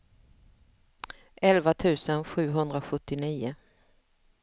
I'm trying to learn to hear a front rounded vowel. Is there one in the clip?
no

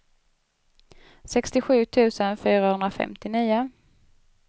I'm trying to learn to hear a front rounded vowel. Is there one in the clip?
yes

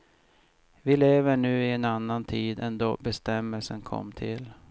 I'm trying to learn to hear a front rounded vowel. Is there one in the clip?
no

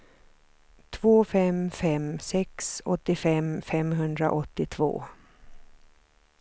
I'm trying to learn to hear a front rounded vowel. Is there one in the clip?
no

